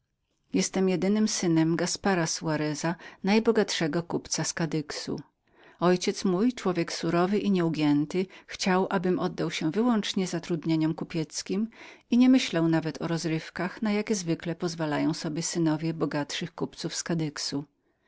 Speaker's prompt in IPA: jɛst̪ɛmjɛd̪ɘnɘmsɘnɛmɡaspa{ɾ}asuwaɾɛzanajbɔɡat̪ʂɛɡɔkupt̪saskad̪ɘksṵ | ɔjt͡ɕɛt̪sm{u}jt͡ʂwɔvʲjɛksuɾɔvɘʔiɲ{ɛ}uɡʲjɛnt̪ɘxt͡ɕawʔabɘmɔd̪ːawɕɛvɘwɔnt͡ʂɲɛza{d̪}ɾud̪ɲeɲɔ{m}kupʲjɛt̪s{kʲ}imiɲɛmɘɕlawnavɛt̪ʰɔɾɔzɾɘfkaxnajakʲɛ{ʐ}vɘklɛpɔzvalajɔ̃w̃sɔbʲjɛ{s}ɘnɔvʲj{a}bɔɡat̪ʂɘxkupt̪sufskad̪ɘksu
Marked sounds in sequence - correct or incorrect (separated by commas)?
correct, correct, correct, incorrect, correct, correct, incorrect, correct, incorrect